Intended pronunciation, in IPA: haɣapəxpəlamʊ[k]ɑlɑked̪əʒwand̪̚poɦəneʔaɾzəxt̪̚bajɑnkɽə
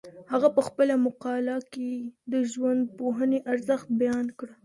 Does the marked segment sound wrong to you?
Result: yes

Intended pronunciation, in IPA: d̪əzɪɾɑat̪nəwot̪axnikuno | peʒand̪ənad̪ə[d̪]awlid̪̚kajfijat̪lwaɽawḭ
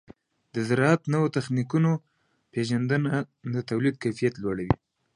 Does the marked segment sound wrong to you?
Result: yes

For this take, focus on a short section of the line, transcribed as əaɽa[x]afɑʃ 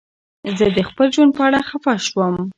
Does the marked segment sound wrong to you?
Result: no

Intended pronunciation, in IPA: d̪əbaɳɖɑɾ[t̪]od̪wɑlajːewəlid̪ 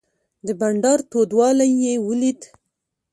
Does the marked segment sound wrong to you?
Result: no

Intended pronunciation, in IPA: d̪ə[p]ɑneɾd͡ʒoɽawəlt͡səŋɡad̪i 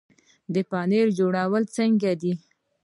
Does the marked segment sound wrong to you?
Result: no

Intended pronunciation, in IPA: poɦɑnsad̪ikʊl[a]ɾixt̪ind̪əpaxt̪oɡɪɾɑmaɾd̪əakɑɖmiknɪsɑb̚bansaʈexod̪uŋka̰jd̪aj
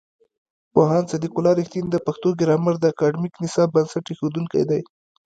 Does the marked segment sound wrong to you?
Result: yes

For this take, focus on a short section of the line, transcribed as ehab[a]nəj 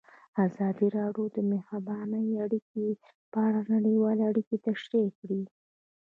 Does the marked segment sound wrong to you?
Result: yes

